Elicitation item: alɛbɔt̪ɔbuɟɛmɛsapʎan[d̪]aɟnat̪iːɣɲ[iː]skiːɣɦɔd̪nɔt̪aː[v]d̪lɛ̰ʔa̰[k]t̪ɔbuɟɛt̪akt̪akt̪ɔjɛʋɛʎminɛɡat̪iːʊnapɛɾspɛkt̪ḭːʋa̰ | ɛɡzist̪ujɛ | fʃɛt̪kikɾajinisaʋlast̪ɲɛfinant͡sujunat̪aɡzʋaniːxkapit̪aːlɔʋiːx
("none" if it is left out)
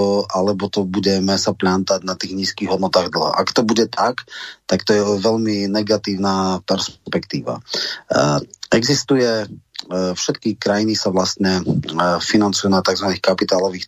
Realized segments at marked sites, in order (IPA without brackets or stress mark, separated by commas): t̪, iː, ɣ, k